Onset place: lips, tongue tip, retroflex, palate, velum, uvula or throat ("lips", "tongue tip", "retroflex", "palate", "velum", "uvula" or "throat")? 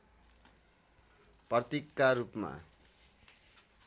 lips